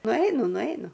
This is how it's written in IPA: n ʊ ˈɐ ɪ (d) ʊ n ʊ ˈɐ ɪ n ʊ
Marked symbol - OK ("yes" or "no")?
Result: no